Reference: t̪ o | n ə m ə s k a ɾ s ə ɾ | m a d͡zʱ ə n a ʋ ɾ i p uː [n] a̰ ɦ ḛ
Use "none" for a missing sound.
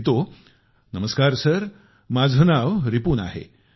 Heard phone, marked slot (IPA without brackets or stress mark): n